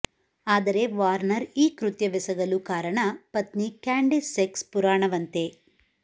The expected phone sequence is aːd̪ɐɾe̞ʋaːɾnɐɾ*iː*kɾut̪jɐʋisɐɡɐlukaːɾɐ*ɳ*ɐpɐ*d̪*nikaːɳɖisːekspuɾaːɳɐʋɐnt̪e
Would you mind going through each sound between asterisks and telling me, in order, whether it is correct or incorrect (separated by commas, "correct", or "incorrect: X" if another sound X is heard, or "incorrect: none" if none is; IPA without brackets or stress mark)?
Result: correct, correct, incorrect: t̪